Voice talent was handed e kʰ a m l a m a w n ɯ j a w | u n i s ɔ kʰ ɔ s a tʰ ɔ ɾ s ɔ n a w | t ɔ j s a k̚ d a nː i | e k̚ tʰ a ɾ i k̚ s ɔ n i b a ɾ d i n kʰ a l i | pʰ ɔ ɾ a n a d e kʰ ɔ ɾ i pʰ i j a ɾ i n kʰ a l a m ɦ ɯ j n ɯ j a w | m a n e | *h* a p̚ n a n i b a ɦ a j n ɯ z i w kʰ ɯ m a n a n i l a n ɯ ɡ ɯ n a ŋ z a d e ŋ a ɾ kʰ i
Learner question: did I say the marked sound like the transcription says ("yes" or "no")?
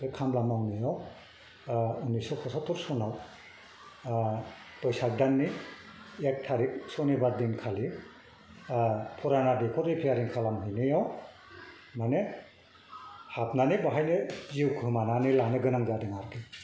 yes